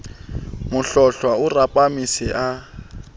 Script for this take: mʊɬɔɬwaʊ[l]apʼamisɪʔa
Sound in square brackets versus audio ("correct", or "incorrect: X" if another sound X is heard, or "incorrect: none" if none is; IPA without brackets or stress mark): incorrect: r